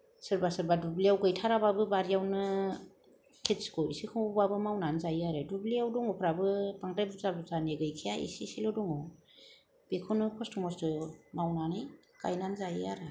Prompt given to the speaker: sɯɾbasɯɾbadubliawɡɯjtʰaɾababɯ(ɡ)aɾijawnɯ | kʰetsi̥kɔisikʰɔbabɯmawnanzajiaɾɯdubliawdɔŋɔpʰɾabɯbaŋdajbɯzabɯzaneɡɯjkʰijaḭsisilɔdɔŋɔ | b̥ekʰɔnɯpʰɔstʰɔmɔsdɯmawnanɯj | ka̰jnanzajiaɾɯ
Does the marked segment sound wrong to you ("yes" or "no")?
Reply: yes